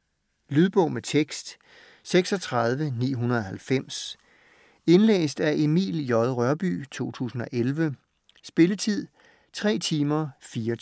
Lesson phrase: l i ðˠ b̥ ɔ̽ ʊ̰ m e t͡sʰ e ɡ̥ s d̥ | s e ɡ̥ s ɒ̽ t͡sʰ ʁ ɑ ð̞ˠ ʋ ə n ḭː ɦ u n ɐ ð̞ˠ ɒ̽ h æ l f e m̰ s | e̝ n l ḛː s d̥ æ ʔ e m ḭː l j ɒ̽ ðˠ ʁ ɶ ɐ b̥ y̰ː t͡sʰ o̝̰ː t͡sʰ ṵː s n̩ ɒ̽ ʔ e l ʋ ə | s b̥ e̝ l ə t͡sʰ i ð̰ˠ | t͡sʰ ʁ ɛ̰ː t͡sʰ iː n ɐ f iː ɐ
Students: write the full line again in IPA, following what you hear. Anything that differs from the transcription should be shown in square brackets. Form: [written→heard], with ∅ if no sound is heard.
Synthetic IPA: l [i→y] ðˠ b̥ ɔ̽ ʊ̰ m e t͡sʰ e ɡ̥ s d̥ | s e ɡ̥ s ɒ̽ t͡sʰ ʁ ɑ ð̞ˠ ʋ ə n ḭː ɦ u n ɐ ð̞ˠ ɒ̽ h æ l f e m̰ s | e̝ n l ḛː s d̥ æ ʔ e m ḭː l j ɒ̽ ðˠ ʁ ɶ ɐ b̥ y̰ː t͡sʰ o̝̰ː t͡sʰ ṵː s n̩ ɒ̽ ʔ e l ʋ ə | s b̥ e̝ l ə t͡sʰ i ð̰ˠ | t͡sʰ ʁ ɛ̰ː t͡sʰ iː [n→m] ɐ f iː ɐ